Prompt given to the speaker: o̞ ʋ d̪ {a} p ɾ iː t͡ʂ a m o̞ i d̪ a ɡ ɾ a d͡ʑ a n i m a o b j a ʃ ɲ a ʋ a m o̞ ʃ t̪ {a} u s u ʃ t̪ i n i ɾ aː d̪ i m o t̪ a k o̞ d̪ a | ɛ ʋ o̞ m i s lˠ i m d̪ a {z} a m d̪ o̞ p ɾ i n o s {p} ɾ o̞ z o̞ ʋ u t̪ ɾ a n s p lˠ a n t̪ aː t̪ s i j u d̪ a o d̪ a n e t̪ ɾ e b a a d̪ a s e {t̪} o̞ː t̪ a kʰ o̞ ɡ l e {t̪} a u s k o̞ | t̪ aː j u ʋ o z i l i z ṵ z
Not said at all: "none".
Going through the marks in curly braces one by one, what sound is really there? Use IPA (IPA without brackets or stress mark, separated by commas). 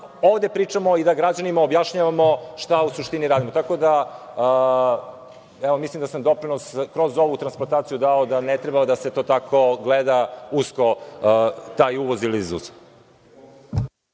e, a, s, k, t̪, d̪